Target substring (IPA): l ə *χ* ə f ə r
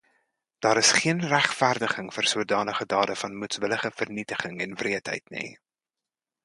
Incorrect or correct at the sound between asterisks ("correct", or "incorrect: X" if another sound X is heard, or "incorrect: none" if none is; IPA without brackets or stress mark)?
correct